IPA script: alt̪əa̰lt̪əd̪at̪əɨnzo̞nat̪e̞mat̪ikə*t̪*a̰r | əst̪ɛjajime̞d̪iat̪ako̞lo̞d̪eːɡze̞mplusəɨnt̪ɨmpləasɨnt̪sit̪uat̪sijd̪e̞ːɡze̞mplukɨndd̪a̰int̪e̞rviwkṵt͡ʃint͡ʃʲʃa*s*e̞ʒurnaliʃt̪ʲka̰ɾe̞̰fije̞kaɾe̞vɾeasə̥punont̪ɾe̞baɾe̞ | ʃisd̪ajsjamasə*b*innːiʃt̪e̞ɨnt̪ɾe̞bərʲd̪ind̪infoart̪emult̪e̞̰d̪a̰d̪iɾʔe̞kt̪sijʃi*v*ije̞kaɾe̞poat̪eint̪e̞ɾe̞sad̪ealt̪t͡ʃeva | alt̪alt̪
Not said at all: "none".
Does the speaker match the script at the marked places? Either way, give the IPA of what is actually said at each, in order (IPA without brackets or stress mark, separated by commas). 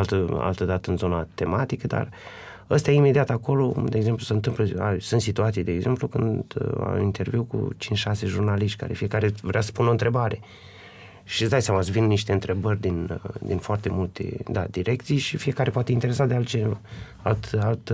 d̪, s, v, f